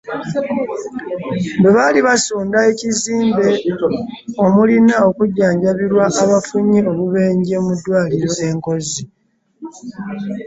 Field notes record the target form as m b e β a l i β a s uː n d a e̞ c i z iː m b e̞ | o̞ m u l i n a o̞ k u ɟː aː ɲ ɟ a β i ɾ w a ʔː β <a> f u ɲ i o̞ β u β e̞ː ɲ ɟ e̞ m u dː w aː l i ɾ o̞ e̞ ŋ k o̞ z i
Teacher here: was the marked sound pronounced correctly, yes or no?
yes